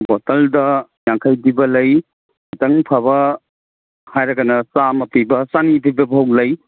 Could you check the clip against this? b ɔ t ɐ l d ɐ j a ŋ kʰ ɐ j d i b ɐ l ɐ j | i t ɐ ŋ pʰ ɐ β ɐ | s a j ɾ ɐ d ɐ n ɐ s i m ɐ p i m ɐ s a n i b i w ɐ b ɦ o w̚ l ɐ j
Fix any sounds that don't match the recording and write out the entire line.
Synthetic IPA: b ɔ t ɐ l d ɐ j a ŋ kʰ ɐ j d i b ɐ l ɐ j | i t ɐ ŋ pʰ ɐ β ɐ | h a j ɾ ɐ ɡ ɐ n ɐ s a m ɐ p i b ɐ s a n i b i b ɐ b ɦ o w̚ l ɐ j